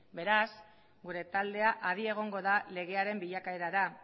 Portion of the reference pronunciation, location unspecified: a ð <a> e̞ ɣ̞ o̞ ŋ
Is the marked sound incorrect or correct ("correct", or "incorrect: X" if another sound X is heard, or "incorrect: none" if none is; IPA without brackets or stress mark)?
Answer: incorrect: i